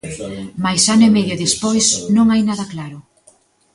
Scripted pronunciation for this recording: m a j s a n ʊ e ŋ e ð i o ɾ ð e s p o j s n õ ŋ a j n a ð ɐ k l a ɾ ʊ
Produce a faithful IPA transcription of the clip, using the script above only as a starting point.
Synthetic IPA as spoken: m a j s a n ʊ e m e ð j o ð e s p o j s n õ ŋ a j n a ð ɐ k l a ɾ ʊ